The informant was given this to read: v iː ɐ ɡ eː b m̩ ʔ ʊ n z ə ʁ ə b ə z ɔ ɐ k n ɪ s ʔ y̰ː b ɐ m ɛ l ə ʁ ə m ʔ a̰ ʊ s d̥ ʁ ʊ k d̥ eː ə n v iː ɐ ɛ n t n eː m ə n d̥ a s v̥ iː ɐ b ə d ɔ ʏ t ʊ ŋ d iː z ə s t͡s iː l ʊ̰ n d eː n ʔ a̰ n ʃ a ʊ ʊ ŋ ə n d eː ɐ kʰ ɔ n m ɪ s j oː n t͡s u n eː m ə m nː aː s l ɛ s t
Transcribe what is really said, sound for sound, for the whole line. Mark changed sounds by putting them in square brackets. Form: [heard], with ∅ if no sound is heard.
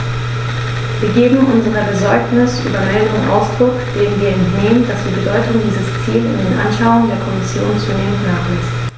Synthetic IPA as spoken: v iː ɐ ɡ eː b m̩ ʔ ʊ n z ə ʁ ə b ə z ɔ ɐ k n ɪ s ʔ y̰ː b ɐ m ɛ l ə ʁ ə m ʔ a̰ ʊ s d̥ ʁ ʊ k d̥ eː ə n v iː ɐ ɛ n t n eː m ə n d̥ a s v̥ iː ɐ b ə d ɔ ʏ t ʊ ŋ d iː z ə s t͡s iː l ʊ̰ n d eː n ʔ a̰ n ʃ a ʊ ʊ ŋ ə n d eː ɐ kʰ ɔ [∅] m ɪ s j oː n t͡s u n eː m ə [n] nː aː [χ] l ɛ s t